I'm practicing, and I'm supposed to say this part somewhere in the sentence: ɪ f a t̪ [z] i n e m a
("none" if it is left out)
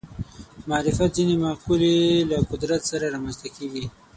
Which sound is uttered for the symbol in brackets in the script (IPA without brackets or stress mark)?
z